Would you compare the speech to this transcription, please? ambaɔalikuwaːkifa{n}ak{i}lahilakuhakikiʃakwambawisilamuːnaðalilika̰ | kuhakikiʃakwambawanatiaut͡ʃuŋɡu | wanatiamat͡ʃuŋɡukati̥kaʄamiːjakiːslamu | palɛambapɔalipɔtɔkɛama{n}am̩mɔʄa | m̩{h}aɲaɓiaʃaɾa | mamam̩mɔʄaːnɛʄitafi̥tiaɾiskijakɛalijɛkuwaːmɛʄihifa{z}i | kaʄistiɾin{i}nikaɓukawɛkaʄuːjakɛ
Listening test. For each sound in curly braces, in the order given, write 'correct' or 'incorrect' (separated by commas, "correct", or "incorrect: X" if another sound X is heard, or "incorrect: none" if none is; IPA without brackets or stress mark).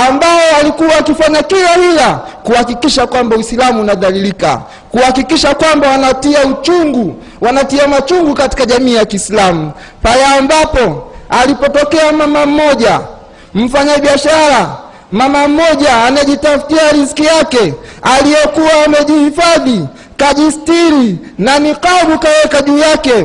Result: incorrect: ɲ, correct, incorrect: m, incorrect: f, incorrect: ð, incorrect: a